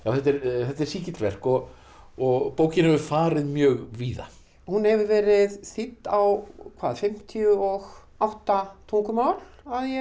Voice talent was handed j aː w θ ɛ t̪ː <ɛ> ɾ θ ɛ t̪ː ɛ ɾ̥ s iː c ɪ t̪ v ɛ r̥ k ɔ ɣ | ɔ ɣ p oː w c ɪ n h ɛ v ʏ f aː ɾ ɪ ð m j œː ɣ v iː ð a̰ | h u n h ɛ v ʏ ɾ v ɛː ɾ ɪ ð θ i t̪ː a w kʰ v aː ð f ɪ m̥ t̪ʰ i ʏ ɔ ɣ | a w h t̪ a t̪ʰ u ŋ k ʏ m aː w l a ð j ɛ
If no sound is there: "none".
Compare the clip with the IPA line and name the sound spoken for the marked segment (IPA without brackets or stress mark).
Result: ɛ